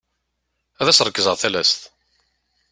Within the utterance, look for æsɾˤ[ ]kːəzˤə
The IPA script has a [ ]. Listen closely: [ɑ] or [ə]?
ə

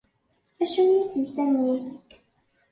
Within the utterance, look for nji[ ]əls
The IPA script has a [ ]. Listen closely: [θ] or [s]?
s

